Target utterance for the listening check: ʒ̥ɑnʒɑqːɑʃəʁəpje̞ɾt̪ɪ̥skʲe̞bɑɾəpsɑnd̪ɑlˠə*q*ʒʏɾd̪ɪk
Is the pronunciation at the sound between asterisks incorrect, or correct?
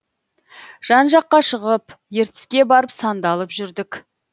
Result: incorrect